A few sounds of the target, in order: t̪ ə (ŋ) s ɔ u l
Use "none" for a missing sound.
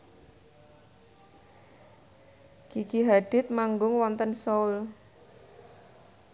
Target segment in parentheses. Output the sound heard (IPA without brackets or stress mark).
n